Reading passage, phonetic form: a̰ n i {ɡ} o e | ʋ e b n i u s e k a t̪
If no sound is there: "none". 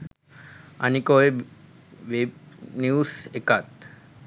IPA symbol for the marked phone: k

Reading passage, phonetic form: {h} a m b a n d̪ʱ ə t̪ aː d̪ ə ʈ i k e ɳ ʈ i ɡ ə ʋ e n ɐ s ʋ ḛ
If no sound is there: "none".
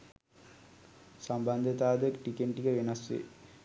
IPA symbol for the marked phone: s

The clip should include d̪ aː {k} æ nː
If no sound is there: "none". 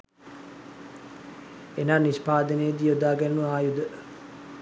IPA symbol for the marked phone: ɡ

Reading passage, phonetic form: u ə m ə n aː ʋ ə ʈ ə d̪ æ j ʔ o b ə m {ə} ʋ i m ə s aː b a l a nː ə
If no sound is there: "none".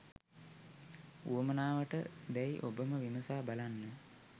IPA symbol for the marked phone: ə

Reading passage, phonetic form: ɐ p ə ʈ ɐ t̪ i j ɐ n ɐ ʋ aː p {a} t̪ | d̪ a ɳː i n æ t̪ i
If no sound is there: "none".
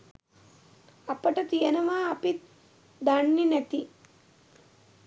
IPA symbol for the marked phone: i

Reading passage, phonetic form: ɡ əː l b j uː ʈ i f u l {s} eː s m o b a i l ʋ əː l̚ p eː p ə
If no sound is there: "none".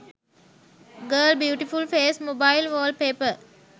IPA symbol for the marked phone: f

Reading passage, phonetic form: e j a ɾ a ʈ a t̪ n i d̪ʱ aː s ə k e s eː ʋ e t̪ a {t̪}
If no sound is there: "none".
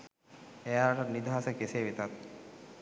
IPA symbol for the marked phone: t̪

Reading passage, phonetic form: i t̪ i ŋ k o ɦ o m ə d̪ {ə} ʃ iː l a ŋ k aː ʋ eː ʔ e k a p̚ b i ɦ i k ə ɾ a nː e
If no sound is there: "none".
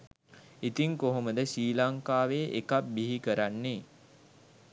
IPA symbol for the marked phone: ə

